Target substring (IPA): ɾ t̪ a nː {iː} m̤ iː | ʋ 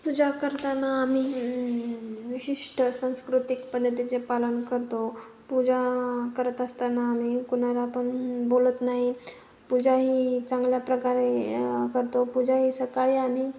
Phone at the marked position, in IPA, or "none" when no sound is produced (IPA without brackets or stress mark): aː